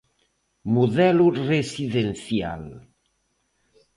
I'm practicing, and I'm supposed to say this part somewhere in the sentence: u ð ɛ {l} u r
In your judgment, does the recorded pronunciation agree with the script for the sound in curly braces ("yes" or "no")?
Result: yes